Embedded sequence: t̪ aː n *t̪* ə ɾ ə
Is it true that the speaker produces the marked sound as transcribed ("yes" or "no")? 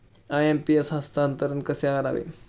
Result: yes